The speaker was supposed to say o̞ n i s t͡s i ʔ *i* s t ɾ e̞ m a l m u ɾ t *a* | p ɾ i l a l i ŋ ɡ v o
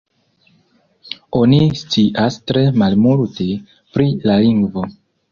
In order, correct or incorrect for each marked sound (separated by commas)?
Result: incorrect, incorrect